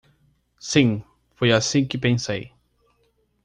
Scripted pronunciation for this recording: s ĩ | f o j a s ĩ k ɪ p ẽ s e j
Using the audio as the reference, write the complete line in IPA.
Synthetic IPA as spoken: s ĩ | f o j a s ĩ k ɪ p ẽ s e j